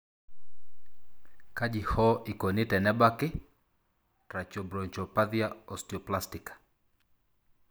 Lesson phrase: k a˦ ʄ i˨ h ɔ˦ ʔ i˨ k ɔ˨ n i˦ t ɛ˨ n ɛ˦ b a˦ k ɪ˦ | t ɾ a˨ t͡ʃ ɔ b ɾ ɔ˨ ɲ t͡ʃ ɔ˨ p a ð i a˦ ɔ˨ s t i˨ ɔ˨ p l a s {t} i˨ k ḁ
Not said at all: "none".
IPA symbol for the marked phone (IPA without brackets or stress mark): t